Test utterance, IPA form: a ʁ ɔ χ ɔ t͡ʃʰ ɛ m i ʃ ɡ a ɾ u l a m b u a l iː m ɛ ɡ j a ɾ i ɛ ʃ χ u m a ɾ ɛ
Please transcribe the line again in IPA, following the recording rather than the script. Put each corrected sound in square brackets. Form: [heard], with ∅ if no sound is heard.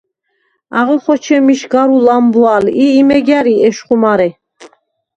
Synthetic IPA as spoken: a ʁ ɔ χ ɔ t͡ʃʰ ɛ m i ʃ ɡ a ɾ u l a m b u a l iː m ɛ ɡ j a ɾ i ɛ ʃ χ u m a ɾ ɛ